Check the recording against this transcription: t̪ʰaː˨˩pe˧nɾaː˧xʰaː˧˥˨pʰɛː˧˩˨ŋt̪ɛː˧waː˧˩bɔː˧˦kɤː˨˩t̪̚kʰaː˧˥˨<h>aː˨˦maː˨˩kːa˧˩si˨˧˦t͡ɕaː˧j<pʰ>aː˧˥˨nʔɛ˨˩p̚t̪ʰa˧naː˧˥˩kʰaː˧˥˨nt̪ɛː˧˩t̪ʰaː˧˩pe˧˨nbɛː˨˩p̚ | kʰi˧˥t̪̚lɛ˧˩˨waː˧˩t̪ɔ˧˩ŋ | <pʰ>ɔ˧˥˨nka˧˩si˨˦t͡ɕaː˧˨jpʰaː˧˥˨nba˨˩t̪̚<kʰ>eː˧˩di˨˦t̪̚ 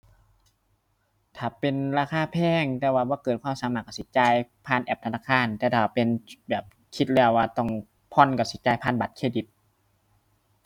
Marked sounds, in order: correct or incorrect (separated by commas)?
incorrect, correct, correct, correct